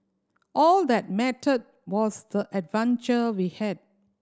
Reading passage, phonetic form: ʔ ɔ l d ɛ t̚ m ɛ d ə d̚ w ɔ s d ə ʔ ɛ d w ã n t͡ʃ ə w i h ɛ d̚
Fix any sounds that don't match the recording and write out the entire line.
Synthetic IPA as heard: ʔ ɔ l d ɛ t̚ m ɛ t ə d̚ w ɔ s d ə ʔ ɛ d v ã n t͡ʃ ə w i h ɛ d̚

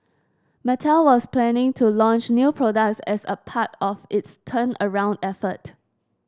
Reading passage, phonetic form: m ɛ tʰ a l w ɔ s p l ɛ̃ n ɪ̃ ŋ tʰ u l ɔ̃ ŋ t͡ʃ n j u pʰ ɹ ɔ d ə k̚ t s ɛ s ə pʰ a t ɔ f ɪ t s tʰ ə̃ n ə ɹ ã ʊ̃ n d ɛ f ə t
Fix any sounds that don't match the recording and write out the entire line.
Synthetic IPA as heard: m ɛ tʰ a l w ɔ s p l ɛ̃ n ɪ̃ ŋ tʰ u l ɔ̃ n t͡ʃ n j u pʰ ɹ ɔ d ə k̚ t s ɛ s ə pʰ a t ɔ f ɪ t s tʰ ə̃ n ə ɹ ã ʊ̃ n d ɛ f ə t

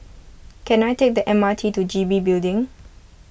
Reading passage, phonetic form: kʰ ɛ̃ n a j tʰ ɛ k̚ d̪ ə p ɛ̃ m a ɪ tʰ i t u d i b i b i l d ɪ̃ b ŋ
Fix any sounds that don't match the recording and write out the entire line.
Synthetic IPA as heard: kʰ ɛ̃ n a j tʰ e k̚ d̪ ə ʔ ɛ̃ m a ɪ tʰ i t u d͡ʒ i b i b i l d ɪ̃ ŋ

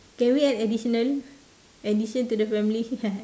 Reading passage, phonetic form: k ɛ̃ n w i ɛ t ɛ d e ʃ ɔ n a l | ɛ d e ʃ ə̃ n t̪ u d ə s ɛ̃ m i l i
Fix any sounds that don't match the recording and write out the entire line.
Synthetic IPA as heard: k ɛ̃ n w i ɛ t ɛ d i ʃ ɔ n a l | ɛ d i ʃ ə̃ n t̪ u d ə f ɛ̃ m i l i

